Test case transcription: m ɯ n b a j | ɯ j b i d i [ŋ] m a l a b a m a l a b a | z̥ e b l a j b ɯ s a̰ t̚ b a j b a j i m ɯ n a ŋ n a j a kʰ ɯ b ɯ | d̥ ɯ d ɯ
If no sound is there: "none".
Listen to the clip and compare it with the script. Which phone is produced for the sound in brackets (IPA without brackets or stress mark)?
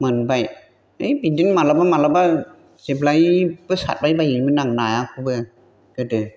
n